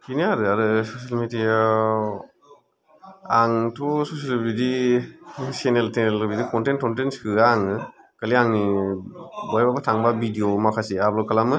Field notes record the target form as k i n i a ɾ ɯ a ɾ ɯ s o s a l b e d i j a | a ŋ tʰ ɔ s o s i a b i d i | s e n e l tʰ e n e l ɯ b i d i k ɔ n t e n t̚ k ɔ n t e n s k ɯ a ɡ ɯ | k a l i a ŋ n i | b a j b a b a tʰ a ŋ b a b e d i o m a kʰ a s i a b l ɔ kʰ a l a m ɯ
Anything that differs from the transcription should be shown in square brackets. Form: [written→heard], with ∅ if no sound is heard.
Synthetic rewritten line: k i n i a ɾ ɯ a ɾ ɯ s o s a l [b→m] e d i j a | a ŋ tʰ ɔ s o s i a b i d i | s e n e l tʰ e n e l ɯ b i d i k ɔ n t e n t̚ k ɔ n t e n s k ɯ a [ɡ→ŋ] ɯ | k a l i a ŋ n i | b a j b a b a tʰ a ŋ b a b [e→i] d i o m a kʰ a s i a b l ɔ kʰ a l a m ɯ

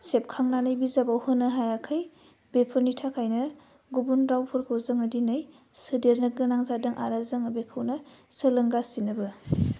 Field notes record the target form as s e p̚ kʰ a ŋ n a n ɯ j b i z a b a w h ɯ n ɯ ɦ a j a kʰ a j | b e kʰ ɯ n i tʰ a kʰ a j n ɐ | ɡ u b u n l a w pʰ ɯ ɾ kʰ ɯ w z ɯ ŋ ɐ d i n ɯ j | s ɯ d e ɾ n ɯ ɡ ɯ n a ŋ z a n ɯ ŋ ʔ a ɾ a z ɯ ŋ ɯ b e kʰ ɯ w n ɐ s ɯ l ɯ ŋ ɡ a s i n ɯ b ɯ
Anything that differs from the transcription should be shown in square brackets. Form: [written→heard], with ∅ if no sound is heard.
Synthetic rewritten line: s e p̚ kʰ a ŋ n a n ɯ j b i z a b a w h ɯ n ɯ ɦ a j a kʰ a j | b e [kʰ→pʰ] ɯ n i tʰ a kʰ a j n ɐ | ɡ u b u n [l→ɾ] a w pʰ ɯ ɾ kʰ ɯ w z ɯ ŋ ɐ d i n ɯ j | s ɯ d e ɾ n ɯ ɡ ɯ n a ŋ z a [n→d] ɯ ŋ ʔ a ɾ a z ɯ ŋ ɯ b e kʰ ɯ w n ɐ s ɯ l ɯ ŋ ɡ a s i n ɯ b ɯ

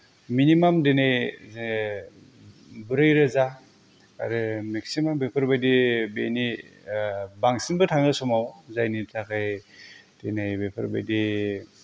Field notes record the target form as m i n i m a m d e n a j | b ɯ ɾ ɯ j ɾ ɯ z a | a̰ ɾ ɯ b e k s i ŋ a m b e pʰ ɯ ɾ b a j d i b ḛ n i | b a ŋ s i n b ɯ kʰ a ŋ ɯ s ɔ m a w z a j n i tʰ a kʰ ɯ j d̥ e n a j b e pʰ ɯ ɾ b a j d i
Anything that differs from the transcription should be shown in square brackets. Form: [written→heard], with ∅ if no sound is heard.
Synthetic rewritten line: m i n i m a m d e n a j | b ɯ ɾ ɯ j ɾ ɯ z a | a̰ ɾ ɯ [b→m] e k s i [ŋ→m] a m b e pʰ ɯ ɾ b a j d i b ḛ n i | b a ŋ s i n b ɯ [kʰ→tʰ] a ŋ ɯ s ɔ m a w z a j n i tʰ a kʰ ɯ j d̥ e n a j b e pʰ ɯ ɾ b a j d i

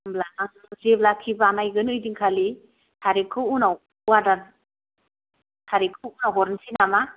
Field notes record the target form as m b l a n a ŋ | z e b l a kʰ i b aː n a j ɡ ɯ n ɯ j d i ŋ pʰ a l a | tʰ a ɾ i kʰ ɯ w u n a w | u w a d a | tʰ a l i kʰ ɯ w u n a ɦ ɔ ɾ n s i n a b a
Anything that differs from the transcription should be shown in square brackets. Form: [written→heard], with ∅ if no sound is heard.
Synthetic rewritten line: m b l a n a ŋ | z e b l a kʰ i b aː n a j ɡ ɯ n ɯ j d i ŋ [pʰ→kʰ] a l [a→i] | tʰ a ɾ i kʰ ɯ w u n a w | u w a d a | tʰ a [l→ɾ] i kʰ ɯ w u n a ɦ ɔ ɾ n s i n a [b→m] a

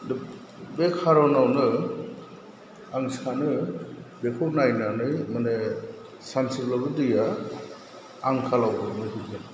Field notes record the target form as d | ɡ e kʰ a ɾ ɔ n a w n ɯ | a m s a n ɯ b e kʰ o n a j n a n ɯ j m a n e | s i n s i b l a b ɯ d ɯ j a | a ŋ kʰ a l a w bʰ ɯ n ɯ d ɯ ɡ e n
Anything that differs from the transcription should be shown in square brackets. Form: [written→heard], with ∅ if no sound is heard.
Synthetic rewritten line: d | [ɡ→b] e kʰ a ɾ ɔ n a w n ɯ | a [m→ŋ] s a n ɯ b e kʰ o n a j n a n ɯ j m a n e | s [i→a] n s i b l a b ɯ d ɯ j a | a ŋ kʰ a l a w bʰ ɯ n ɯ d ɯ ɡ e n

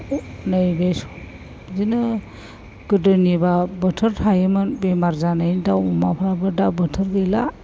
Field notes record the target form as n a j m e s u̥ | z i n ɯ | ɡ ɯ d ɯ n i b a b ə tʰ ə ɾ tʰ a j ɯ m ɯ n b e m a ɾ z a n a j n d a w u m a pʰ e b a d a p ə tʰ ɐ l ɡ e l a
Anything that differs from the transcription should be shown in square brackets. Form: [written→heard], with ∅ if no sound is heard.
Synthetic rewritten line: n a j [m→b] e s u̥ | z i n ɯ | ɡ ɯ d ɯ n i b a b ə tʰ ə ɾ tʰ a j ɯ m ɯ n b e m a ɾ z a n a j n d a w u m a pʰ [e→a] b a d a [p→b] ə tʰ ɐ [l→ɾ] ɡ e l a

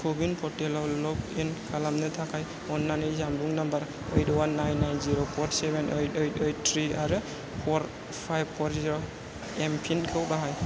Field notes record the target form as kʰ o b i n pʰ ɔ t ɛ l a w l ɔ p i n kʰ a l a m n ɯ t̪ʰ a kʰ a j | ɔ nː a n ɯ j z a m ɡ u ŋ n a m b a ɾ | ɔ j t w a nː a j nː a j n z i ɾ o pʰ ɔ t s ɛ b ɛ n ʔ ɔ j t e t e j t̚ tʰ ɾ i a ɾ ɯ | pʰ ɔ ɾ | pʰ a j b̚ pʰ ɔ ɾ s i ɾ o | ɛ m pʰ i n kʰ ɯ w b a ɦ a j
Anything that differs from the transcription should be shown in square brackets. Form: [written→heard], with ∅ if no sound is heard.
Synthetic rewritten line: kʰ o b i n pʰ ɔ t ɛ l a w l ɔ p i n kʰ a l a m n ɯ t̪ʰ a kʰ a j | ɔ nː a n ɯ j z a m [ɡ→b] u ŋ n a m b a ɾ | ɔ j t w a nː a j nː a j n z i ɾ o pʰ ɔ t s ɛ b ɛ n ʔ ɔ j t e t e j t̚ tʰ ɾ i a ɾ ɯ | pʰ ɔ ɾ | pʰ a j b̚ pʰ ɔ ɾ [s→z] i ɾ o | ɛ m pʰ i n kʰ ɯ w b a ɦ a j

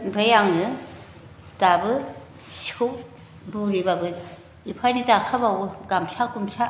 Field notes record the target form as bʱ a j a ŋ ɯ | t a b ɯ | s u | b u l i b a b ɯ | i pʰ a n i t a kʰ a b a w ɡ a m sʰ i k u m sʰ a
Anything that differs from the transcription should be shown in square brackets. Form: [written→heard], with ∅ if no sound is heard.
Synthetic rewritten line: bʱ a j a ŋ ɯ | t a b ɯ | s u | b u [l→ɾ] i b a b ɯ | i pʰ a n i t a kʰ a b a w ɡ a m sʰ [i→a] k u m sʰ a

